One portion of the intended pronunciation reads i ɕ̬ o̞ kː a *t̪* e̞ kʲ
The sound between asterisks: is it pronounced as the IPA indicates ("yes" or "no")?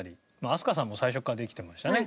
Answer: no